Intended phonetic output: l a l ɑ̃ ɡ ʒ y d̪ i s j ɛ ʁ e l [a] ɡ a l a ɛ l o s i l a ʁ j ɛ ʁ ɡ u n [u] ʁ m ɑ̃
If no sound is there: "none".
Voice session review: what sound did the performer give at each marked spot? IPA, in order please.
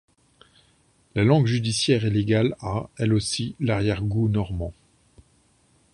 e, ɔ

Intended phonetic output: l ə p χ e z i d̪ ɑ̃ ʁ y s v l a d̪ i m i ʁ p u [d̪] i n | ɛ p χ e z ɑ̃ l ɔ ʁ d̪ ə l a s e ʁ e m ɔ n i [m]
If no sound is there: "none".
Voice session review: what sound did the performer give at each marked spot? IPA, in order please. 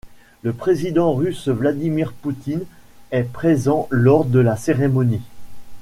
t̪, none

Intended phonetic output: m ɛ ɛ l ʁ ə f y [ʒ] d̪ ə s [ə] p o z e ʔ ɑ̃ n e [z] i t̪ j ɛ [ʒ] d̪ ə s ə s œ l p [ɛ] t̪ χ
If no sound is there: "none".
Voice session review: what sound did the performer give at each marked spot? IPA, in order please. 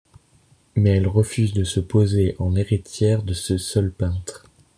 z, ə, ʁ, ʁ, ɛ̃

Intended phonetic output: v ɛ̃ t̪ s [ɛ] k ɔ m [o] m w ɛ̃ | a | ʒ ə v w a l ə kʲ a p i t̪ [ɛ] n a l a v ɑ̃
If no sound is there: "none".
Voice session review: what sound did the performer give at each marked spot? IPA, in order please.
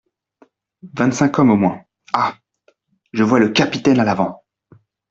ɛ̃, o, ɛ

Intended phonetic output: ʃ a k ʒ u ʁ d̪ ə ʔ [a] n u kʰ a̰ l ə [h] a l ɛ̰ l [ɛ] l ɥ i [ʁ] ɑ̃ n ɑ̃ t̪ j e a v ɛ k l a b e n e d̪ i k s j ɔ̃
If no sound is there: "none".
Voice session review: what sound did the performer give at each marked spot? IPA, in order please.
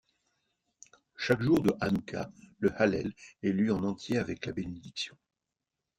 a, h, ɛ, none

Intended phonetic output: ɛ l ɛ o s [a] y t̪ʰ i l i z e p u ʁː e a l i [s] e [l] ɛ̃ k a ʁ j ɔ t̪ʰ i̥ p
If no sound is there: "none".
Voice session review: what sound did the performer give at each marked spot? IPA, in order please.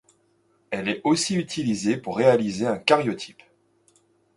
i, z, none

